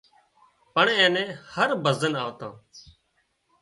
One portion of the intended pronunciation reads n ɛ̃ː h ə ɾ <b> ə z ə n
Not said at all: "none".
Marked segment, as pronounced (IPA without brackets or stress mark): b